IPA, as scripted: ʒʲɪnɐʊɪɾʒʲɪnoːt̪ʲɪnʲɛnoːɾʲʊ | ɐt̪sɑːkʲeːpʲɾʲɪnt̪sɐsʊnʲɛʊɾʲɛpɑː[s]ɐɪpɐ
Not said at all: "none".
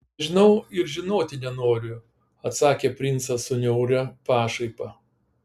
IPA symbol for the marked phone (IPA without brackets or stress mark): ʃ